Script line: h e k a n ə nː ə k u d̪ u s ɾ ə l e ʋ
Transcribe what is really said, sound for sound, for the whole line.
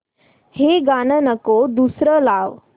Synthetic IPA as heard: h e ɡ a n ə n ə k o d̪ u s ɾ ə l a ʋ